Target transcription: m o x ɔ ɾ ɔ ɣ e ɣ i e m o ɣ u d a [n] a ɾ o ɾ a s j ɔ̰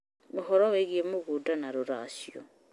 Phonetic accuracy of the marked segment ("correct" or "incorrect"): correct